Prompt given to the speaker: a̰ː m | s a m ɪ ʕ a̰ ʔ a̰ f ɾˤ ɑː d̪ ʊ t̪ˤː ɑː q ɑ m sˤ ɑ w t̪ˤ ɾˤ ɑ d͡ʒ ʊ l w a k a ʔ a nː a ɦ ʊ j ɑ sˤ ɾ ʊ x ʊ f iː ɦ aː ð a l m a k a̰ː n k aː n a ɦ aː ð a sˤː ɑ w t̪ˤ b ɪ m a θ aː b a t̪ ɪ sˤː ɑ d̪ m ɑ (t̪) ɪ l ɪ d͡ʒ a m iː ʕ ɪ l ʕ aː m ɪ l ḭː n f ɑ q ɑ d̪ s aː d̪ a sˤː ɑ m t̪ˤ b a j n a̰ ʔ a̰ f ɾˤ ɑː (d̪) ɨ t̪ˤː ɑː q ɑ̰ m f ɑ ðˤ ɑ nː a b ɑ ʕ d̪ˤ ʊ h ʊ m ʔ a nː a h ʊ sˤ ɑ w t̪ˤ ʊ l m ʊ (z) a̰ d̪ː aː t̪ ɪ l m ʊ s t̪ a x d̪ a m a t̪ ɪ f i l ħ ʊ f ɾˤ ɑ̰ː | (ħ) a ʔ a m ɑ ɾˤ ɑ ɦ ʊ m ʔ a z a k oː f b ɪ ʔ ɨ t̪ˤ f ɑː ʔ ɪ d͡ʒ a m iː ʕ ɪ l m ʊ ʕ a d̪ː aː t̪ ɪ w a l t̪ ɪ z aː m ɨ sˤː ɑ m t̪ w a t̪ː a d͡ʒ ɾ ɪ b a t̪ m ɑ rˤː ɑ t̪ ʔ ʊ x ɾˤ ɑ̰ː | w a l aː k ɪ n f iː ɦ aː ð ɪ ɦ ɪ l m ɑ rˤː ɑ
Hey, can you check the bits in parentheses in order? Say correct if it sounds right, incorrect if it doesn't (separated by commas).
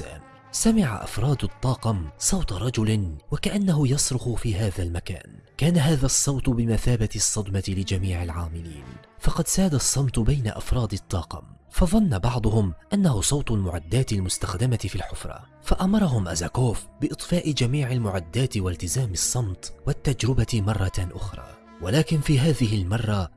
correct, correct, incorrect, incorrect